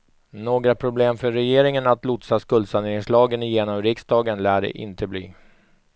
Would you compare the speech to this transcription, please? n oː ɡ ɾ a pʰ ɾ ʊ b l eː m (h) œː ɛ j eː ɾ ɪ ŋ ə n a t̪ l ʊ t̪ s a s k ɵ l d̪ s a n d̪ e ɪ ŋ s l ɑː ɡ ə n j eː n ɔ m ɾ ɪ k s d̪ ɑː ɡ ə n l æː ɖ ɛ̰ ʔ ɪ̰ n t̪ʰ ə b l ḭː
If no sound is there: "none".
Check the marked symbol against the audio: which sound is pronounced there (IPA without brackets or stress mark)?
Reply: f